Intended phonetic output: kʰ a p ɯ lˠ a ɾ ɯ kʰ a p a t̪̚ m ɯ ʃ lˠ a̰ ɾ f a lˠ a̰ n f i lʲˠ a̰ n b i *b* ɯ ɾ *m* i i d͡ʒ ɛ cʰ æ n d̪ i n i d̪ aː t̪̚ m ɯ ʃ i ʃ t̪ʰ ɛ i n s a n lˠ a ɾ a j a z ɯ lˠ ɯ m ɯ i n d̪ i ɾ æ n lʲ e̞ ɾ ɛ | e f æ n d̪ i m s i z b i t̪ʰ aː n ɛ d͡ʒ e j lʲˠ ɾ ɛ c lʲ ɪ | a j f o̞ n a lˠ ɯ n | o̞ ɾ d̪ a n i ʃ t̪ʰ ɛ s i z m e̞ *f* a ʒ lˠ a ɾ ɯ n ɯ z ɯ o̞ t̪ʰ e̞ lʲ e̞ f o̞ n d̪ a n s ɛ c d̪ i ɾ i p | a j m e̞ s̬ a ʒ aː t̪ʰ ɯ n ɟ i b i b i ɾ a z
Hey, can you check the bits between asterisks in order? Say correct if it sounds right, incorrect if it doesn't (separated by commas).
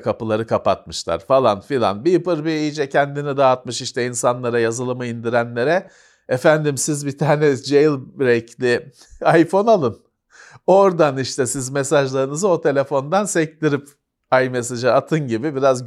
incorrect, incorrect, incorrect